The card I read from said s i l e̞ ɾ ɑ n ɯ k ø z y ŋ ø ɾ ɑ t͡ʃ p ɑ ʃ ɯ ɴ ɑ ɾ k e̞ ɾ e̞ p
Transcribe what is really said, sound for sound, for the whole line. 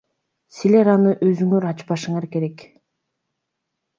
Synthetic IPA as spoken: s i l e̞ ɾ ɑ n ɯ ʔ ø z y ŋ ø ɾ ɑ t͡ʃ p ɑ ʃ ɯ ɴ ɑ ɾ k e̞ ɾ e̞ k